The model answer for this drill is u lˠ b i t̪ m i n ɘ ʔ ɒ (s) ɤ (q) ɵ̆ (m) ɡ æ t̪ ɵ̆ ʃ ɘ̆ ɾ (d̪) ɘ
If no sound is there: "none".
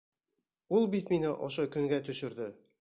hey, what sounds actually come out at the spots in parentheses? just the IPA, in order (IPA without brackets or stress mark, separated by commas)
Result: ʃ, k, ŋ, d̪